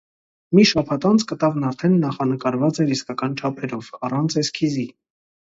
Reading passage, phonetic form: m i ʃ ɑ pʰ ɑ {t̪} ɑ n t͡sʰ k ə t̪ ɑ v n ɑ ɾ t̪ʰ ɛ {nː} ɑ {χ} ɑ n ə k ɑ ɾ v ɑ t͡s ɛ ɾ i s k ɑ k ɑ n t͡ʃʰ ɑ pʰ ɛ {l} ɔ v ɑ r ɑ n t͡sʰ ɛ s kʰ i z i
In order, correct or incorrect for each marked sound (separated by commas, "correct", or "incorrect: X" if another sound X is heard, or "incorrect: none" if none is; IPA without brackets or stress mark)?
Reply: correct, correct, correct, incorrect: ɾ